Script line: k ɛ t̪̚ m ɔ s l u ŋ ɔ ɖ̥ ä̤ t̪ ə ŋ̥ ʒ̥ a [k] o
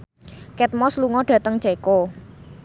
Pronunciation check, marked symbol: correct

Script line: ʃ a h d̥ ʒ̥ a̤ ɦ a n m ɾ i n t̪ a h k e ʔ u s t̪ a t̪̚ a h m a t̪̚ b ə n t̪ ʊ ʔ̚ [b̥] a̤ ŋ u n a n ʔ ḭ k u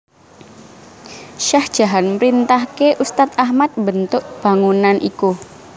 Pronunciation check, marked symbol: correct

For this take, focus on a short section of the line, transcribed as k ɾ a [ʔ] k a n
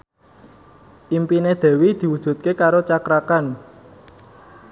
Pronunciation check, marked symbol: incorrect: none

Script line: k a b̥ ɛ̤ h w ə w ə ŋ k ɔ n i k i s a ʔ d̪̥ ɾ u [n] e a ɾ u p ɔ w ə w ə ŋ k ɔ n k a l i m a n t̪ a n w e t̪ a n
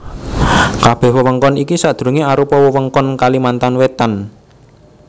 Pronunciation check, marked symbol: incorrect: ŋ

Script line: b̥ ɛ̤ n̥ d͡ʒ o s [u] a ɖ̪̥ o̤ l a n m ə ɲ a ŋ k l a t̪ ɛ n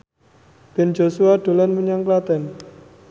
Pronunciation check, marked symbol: correct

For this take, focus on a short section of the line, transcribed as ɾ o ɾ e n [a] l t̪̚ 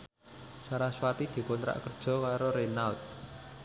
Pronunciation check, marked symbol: correct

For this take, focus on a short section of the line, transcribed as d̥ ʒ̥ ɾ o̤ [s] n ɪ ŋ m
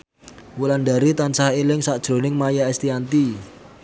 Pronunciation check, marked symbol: incorrect: none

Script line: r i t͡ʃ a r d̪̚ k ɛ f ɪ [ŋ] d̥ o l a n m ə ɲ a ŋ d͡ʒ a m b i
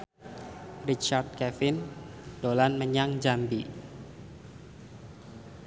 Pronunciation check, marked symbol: incorrect: n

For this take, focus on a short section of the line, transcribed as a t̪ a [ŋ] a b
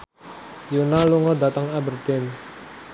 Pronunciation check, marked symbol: correct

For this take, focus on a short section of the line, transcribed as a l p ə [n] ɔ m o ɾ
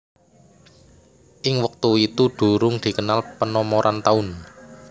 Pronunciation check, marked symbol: correct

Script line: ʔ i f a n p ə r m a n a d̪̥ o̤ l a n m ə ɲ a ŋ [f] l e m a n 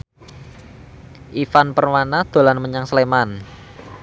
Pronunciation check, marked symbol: incorrect: s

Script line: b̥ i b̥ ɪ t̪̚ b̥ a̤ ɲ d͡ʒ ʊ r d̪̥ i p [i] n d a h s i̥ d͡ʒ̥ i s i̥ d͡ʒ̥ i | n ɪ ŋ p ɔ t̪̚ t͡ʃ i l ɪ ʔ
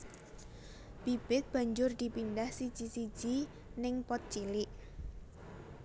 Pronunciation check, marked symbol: correct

